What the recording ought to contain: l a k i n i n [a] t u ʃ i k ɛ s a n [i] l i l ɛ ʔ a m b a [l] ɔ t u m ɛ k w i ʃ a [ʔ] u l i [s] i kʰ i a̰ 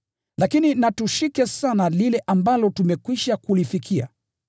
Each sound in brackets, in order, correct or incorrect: correct, incorrect, correct, incorrect, incorrect

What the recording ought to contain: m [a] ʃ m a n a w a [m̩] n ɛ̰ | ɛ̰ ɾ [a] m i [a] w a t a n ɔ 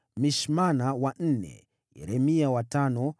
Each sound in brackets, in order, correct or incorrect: incorrect, incorrect, incorrect, correct

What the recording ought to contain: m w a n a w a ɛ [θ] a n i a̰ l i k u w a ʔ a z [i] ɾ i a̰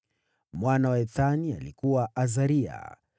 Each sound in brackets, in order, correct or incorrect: correct, incorrect

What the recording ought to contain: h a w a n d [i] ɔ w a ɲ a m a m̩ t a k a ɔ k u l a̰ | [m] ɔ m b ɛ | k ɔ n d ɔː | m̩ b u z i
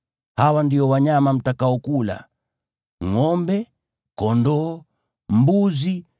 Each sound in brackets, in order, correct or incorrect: correct, incorrect

